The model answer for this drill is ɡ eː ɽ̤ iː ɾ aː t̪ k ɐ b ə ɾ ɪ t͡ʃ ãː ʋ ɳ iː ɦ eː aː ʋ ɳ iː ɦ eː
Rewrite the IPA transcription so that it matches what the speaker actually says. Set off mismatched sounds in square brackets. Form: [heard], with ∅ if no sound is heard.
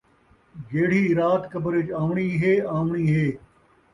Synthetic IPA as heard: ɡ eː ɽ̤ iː ɾ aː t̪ k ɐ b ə ɾ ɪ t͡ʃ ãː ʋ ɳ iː ɦ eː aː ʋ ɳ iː ɦ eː